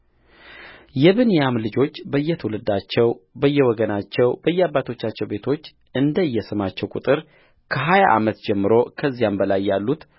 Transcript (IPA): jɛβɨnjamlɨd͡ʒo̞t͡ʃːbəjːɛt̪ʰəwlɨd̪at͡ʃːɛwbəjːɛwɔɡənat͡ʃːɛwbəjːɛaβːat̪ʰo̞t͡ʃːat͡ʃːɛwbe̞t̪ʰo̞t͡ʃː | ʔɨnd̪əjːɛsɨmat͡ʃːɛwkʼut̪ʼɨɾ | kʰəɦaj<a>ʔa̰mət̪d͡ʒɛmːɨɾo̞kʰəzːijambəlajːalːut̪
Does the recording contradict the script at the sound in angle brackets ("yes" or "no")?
no